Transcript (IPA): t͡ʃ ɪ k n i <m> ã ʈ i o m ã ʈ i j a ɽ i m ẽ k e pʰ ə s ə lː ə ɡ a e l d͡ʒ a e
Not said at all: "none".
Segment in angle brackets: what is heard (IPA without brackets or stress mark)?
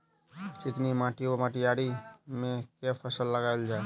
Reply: m